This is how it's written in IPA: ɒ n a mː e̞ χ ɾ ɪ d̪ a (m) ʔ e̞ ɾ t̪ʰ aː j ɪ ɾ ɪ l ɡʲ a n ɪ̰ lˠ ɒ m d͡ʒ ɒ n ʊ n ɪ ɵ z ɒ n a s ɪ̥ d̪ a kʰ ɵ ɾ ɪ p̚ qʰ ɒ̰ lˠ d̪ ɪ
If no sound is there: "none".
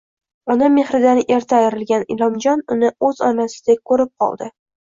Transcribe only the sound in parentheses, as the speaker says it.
n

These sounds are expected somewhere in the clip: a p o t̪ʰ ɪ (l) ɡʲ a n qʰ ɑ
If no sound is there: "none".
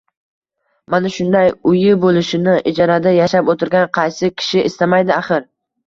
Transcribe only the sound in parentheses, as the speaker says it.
ɾ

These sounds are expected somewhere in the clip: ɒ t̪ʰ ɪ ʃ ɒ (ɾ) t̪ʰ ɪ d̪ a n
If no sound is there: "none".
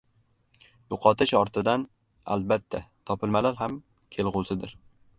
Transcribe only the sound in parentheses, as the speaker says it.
ɾ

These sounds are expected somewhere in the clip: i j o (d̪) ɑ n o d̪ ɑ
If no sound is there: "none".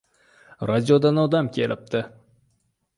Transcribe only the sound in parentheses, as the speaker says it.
d̪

